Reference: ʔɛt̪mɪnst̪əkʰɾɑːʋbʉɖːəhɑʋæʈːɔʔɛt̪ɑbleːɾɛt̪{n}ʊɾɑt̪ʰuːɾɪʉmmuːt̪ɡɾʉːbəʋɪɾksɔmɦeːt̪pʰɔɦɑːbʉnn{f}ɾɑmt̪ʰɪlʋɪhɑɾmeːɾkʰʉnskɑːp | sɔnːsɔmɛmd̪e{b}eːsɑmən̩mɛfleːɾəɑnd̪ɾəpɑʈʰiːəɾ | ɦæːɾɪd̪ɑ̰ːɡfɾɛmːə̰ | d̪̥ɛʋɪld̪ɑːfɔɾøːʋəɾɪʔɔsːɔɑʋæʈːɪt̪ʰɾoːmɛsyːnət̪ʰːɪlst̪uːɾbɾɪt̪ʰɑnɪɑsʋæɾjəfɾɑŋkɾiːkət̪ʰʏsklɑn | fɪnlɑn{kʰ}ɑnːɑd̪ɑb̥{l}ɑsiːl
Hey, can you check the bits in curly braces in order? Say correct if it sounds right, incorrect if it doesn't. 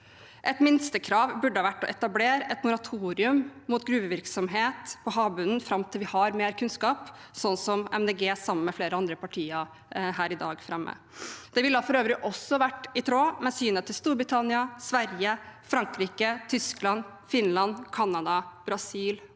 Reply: incorrect, correct, incorrect, correct, incorrect

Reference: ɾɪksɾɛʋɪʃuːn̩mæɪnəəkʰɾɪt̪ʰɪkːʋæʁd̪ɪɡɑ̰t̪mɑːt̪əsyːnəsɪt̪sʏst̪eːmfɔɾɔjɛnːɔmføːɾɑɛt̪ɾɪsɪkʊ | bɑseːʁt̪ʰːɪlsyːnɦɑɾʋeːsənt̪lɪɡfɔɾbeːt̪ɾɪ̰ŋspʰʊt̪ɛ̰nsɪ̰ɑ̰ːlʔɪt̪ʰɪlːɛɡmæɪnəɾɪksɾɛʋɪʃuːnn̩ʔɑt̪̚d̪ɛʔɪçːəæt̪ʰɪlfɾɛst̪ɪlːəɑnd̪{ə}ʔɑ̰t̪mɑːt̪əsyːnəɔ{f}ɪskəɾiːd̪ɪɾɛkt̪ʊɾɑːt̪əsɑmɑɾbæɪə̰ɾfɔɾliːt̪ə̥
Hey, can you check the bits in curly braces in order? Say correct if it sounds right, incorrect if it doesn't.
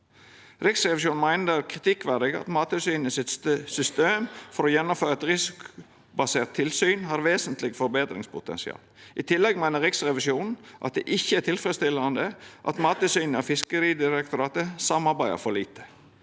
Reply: correct, correct

